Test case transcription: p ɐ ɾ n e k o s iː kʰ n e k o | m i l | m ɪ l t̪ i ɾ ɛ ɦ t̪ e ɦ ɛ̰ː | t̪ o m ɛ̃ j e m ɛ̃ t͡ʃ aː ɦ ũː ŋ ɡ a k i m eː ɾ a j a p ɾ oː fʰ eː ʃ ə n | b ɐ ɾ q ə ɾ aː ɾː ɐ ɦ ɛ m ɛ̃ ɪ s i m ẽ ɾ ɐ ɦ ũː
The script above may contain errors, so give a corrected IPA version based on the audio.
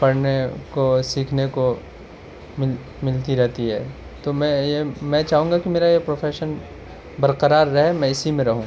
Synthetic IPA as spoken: p ɐ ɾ n e k o s iː kʰ n e k o | m ɪ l | m ɪ l t̪ i ɾ ɛ ɦ t̪ i ɦ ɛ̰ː | t̪ o m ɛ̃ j e m ɛ̃ t͡ʃ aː ɦ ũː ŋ ɡ a k i m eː ɾ a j e p ɾ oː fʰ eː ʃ ə n | b ɐ ɾ q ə ɾ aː ɾː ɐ ɦ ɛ m ɛ̃ ɪ s i m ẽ ɾ ɐ ɦ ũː

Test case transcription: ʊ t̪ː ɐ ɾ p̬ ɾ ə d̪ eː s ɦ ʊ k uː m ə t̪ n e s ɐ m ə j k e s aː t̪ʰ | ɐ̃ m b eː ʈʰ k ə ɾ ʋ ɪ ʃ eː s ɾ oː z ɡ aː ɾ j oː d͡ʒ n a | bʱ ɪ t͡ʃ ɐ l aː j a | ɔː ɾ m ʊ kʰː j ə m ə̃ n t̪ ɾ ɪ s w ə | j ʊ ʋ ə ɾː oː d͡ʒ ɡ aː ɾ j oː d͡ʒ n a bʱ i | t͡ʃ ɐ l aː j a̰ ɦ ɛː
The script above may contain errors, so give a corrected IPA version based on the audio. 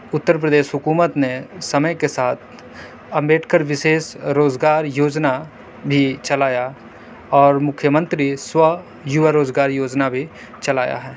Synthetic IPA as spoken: ʊ t̪ː ə ɾ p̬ ɾ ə d̪ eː ʃ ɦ ʊ k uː m ə t̪ n e s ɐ m ə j k e s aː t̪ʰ | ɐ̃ m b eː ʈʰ k ə ɾ ʋ ɪ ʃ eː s ɾ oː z ɡ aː ɾ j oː d͡ʒ n a | bʱ i t͡ʃ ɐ l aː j a | ɔː ɾ m ʊ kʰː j ə m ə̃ n t̪ ɾ i s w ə | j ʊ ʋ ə ɾ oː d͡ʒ ɡ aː ɾ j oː d͡ʒ n a bʱ i | t͡ʃ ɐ l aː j a̰ ɦ ɛː

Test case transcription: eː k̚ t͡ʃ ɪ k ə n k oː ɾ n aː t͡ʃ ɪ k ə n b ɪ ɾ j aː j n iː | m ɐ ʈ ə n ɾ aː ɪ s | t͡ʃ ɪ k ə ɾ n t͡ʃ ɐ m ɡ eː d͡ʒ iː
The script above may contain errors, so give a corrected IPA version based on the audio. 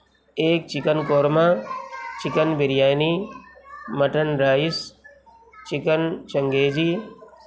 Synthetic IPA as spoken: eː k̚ t͡ʃ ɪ k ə n k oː ɾ m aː t͡ʃ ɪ k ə n b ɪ ɾ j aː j n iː | m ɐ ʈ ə n ɾ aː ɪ s | t͡ʃ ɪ k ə n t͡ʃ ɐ ŋ ɡ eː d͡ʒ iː

